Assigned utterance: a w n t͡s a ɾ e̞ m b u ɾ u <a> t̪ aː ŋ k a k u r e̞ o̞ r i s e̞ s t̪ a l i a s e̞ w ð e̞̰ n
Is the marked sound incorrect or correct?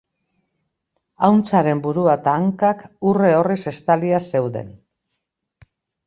correct